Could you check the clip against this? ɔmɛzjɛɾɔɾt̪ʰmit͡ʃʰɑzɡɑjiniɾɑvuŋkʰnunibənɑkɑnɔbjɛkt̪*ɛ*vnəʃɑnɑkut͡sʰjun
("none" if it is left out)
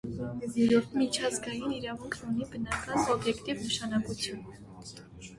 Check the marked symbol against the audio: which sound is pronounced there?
i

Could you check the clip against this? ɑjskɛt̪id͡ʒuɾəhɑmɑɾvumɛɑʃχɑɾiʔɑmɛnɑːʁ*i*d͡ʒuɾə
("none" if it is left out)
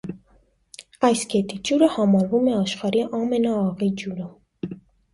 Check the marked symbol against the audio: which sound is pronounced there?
i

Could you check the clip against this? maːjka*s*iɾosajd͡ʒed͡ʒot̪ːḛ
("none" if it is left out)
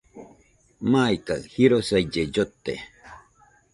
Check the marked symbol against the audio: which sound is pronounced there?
h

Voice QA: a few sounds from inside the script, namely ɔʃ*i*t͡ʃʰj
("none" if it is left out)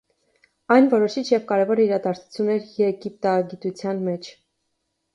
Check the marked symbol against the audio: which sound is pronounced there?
i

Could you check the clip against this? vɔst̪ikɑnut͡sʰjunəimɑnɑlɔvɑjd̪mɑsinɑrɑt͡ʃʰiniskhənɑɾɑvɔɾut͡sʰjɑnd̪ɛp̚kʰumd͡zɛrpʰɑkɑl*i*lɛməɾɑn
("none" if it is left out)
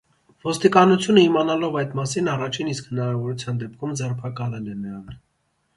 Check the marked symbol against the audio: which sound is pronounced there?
ɛ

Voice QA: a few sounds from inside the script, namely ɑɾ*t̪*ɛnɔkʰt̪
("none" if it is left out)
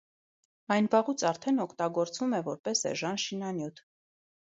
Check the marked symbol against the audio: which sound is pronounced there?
t̪ʰ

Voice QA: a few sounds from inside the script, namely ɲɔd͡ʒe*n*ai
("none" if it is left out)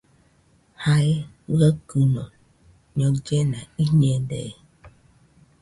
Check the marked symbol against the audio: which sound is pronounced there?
n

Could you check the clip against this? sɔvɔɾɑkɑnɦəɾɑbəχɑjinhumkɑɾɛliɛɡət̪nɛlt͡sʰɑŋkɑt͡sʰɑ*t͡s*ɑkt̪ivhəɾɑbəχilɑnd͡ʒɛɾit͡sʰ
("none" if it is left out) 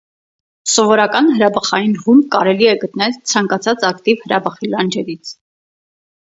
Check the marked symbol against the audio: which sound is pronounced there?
t͡s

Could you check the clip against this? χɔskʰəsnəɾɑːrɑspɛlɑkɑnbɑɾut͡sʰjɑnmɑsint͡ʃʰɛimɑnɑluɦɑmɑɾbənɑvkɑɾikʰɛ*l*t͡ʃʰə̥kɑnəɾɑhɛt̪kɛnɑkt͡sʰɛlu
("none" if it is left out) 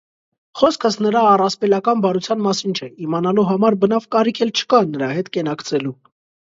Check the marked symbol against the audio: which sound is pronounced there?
l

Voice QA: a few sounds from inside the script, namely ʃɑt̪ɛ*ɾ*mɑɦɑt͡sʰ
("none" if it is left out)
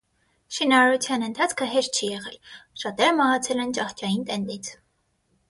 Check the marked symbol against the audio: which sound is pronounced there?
ɾ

